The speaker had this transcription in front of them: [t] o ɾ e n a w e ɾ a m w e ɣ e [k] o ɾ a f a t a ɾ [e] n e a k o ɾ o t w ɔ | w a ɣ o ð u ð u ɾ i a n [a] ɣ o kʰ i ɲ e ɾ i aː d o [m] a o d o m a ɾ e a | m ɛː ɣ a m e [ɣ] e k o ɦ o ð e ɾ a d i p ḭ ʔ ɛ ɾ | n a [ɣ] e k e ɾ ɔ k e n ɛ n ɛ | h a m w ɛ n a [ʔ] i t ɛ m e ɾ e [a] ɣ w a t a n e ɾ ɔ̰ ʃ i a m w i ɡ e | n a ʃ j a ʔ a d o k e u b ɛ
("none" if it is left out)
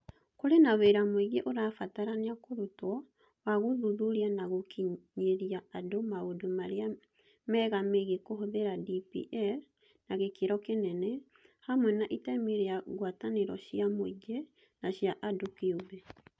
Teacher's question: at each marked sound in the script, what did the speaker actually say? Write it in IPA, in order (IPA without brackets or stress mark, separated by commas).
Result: k, ʔ, a, a, m, ɣ, ɣ, ʔ, a